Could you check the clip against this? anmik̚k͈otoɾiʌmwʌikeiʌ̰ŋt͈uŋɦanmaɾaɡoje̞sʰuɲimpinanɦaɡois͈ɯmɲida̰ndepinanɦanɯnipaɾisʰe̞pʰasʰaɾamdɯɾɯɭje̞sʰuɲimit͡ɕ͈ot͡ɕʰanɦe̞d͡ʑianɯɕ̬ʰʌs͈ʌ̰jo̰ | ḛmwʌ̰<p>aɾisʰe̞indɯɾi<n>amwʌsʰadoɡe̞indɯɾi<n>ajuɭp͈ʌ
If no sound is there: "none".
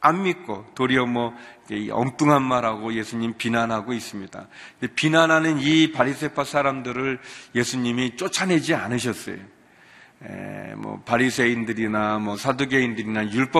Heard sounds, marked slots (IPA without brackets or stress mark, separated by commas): p, n, n